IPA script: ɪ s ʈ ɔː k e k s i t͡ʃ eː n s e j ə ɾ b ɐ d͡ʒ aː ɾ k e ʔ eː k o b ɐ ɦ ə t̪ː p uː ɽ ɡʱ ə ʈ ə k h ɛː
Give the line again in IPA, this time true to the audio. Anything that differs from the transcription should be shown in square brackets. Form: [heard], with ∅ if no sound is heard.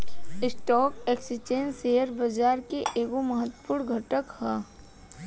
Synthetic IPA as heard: ɪ s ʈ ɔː k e k s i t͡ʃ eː n s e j ə ɾ b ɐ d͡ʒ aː ɾ k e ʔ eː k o [m] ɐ ɦ ə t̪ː p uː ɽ ɡʱ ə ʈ ə k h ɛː